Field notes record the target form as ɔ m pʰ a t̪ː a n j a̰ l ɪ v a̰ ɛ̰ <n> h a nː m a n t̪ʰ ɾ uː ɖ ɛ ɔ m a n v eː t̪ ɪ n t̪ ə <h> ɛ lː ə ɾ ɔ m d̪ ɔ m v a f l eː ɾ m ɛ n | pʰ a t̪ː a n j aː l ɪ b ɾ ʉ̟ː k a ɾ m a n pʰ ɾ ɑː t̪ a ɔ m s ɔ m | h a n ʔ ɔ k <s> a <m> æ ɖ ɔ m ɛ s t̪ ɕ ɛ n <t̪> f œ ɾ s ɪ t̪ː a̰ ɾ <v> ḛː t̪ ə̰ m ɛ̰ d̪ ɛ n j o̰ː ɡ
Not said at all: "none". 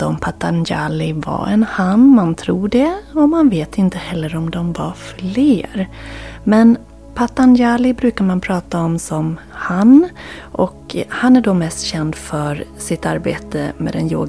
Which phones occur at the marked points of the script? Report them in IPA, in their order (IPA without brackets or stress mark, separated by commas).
n, h, h, n, d̪, b